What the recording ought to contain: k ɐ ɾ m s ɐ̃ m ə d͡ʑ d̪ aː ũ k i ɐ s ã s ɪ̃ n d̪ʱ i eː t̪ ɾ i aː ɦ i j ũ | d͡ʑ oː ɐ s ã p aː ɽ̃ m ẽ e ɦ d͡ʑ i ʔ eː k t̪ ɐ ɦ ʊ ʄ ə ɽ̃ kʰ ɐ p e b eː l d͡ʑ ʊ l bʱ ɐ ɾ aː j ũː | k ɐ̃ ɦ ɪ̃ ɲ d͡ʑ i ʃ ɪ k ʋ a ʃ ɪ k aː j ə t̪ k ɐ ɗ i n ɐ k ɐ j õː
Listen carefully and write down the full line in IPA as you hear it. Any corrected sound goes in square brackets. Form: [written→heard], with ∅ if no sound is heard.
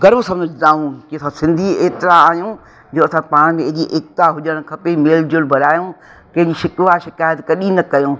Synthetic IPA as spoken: [k→ɡ] ɐ ɾ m s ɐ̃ m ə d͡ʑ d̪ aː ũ k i ɐ s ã s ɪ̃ n d̪ʱ i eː t̪ ɾ [i→a] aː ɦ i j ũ | d͡ʑ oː ɐ s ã p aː ɽ̃ m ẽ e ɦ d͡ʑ i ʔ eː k t̪ [ɐ→a] ɦ ʊ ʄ ə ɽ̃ kʰ ɐ p e [b→m] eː l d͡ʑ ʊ l bʱ ɐ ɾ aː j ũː | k ɐ̃ ɦ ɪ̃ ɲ d͡ʑ i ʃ ɪ k ʋ a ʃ ɪ k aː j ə t̪ k ɐ ɗ i n ɐ k ɐ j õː